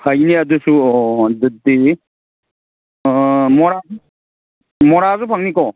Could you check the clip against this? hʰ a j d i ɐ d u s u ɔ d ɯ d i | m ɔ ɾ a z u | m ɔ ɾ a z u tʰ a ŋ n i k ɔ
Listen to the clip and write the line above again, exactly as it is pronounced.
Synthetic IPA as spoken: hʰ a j n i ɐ d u s u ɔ d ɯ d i | m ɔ ɾ a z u | m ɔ ɾ a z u pʰ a ŋ n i k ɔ